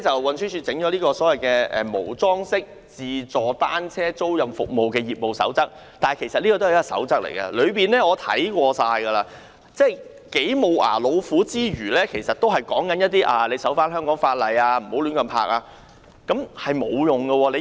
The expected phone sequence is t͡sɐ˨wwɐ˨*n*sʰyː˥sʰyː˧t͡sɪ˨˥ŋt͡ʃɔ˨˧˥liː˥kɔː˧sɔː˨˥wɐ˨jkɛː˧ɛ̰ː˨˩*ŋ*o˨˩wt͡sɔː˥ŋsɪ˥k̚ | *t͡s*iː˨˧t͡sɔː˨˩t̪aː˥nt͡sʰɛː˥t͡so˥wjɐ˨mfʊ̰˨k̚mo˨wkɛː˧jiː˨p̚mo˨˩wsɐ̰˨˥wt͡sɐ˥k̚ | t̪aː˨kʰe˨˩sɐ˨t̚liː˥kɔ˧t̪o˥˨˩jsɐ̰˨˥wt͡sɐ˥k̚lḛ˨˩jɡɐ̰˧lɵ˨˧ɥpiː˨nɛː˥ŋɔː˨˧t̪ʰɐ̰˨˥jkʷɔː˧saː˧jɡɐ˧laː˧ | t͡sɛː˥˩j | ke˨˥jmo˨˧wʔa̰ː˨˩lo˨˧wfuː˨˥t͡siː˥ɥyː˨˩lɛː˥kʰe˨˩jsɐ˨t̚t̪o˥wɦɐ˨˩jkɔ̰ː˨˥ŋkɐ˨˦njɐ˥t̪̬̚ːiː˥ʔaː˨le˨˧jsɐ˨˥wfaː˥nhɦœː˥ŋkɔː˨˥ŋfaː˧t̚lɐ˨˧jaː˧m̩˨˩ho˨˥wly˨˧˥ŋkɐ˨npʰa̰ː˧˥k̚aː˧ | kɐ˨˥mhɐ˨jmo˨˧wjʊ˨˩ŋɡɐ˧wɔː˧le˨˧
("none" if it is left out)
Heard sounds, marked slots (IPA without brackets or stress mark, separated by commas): n, m, t͡s